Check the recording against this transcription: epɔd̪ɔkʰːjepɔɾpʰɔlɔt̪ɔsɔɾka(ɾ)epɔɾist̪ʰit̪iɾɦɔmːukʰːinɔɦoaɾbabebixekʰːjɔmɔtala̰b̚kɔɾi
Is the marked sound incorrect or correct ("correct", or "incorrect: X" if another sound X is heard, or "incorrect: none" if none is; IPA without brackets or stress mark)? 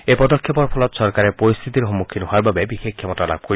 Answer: correct